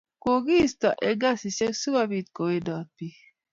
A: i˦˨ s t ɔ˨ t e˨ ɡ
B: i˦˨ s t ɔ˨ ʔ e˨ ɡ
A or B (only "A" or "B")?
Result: B